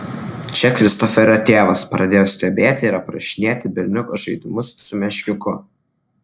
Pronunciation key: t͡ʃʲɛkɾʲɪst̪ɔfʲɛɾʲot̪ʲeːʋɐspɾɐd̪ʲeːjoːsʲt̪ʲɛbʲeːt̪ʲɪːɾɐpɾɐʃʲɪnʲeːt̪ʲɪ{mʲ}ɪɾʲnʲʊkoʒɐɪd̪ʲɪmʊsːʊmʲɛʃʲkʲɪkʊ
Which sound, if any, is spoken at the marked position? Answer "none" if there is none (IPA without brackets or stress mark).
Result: bʲ